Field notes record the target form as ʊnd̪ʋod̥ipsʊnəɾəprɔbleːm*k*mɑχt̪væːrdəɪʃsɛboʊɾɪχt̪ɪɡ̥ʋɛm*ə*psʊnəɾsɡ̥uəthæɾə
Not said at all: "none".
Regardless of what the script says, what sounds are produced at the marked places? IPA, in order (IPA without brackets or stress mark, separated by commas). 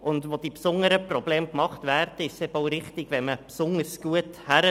k, ə